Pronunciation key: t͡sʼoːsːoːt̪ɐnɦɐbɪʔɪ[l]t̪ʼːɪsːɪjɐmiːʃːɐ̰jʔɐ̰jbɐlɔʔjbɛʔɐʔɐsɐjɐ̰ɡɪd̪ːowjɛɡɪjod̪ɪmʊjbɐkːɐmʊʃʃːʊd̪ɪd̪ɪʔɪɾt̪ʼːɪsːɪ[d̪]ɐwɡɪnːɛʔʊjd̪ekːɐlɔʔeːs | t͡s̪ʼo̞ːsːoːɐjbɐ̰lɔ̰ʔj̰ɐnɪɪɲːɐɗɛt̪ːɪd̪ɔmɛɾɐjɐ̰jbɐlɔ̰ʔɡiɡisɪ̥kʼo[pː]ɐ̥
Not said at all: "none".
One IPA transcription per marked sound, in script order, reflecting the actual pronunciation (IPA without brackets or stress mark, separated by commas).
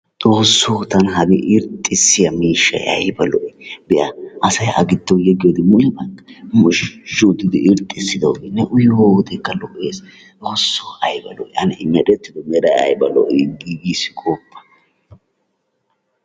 ɾ, d̪, pː